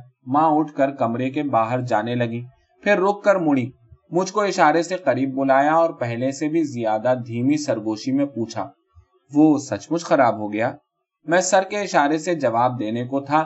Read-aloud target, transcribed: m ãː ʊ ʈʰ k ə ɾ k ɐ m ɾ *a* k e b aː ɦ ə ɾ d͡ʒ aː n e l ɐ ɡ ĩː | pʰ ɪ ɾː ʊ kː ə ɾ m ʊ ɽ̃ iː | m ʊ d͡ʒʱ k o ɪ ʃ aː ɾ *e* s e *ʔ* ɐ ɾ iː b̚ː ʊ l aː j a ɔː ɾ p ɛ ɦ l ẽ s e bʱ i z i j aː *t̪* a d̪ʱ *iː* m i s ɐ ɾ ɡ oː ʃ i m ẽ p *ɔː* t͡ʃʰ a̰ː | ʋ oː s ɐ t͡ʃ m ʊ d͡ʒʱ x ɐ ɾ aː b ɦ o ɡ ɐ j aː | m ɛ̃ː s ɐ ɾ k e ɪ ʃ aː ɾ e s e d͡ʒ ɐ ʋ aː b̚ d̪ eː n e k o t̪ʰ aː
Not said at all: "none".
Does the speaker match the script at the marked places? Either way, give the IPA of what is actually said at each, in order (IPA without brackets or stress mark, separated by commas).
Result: e, e, q, d̪, iː, uː